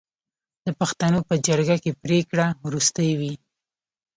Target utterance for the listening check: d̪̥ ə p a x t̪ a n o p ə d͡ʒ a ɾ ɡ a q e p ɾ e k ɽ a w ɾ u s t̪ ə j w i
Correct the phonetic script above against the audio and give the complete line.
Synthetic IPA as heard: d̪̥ ə p a x t̪ a n o p ə d͡ʒ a ɾ ɡ a k e p ɾ e k ɽ a w ɾ u s t̪ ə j w i